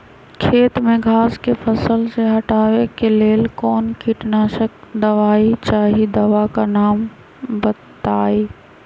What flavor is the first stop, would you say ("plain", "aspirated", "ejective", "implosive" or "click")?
aspirated